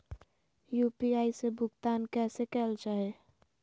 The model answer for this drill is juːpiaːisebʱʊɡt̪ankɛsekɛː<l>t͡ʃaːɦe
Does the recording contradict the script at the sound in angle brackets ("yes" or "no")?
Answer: no